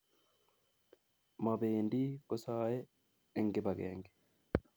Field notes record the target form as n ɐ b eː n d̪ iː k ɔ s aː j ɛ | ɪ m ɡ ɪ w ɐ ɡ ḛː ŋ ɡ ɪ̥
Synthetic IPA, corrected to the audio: m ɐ b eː n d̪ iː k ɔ s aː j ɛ | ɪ ŋ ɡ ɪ b ɐ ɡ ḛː ŋ ɡ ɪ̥